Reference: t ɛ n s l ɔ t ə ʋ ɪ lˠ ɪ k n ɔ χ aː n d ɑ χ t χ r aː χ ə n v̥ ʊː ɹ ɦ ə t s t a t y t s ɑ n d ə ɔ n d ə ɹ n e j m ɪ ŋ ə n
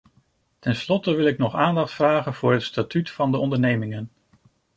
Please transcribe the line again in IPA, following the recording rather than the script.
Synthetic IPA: t ɛ n s l ɔ t ə ʋ ɪ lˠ ɪ k n ɔ χ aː n d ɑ χ t f r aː χ ə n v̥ ʊː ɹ ɦ ə t s t a t y t f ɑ n d ə ɔ n d ə ɹ n e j m ɪ ŋ ə n